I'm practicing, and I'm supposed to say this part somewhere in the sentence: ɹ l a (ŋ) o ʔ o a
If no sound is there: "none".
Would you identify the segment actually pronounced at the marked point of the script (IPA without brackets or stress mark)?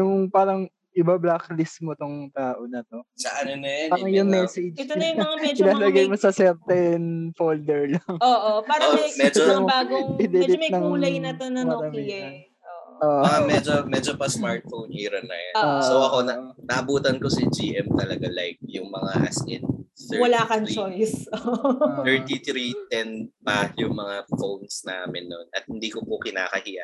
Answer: ŋ